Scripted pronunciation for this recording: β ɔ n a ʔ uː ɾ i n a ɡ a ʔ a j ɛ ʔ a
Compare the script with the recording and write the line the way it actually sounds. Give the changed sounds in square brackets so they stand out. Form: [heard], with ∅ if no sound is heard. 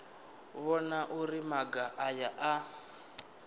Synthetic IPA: β ɔ n a ʔ [u] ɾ i [m] a ɡ a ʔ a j [a] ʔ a